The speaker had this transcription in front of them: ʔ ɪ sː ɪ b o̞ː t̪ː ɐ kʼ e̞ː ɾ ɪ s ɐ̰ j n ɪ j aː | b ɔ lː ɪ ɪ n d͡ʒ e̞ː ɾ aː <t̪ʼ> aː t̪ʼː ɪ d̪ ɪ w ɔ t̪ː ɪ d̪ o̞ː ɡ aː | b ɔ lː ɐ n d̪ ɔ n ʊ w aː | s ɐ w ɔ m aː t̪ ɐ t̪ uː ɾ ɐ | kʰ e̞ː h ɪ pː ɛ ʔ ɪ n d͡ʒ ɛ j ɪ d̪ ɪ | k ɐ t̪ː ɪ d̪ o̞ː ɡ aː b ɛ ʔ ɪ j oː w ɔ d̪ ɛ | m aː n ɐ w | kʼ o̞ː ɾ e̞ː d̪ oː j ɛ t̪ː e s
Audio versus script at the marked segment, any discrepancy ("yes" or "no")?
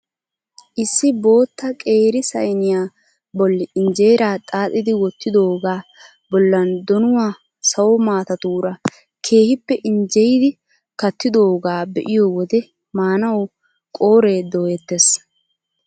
no